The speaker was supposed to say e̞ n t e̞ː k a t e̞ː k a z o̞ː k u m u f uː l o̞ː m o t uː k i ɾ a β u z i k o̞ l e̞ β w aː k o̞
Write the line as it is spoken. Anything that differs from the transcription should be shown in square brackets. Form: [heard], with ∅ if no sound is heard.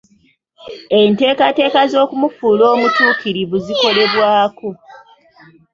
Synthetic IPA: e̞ n t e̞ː k a t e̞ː k a z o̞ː k u m u f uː l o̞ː m [u] t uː k i ɾ [i] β u z i k o̞ l e̞ β w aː k o̞